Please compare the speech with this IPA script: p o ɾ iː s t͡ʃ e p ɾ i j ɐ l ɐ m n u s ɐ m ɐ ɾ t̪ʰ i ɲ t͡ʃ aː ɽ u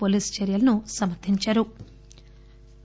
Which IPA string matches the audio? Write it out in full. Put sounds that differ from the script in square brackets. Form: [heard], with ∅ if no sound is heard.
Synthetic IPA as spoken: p o [l] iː s t͡ʃ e [∅] ɾ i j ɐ l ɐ [∅] n u s ɐ m ɐ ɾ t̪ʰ i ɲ t͡ʃ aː [ɾ] u